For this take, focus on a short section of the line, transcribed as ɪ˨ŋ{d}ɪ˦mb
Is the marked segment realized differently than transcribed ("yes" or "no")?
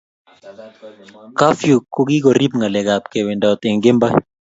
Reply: yes